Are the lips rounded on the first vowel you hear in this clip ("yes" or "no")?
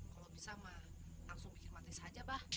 no